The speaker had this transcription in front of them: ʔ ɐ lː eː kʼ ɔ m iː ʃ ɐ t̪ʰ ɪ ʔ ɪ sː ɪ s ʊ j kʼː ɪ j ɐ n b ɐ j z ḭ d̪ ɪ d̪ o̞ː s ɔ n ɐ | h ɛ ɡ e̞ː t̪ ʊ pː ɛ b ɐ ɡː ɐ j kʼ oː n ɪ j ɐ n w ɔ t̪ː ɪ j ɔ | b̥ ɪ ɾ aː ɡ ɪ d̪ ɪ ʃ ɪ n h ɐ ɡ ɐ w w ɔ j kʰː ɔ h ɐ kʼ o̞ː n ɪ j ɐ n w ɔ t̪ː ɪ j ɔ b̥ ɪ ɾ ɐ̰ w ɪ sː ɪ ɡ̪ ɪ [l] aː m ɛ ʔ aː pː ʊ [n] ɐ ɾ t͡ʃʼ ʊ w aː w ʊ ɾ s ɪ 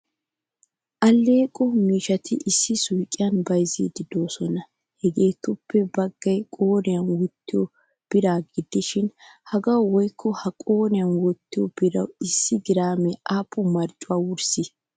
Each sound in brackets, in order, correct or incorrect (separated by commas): incorrect, incorrect